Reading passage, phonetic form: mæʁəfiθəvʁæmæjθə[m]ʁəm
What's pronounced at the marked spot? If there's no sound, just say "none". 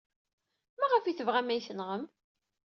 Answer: n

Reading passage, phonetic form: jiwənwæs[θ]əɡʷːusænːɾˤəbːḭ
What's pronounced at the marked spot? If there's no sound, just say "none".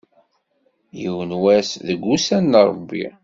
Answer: ð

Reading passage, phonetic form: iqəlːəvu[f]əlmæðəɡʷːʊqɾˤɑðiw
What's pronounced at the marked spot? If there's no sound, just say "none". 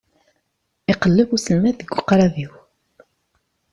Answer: s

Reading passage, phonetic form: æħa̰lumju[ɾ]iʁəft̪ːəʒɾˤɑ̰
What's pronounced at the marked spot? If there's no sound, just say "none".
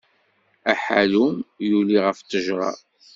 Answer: l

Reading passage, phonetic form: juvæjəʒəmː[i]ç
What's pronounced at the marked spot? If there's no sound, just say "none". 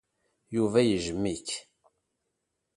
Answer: i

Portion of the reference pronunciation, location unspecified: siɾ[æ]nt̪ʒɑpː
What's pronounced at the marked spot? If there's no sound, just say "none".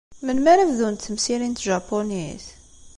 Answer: i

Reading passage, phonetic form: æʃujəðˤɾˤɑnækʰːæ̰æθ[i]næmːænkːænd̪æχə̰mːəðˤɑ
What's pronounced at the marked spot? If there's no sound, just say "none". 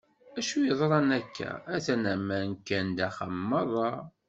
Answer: æ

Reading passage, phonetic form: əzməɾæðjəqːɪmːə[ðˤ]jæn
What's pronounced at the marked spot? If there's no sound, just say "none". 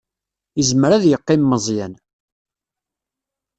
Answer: zˤ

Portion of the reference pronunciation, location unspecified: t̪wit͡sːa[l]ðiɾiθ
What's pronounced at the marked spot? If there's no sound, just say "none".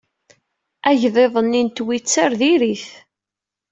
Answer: ɾ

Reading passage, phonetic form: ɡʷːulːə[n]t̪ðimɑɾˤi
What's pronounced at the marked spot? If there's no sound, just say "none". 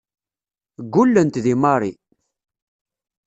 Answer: n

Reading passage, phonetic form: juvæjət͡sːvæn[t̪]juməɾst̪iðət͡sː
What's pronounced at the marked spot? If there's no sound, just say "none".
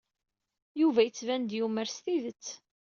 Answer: d̪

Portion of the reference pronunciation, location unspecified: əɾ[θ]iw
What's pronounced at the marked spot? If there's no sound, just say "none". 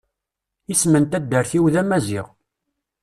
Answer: θ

